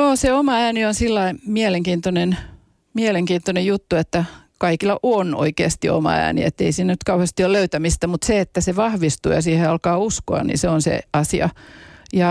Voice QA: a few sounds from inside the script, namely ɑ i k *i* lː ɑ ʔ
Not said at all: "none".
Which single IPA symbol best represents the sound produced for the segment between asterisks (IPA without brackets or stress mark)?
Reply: i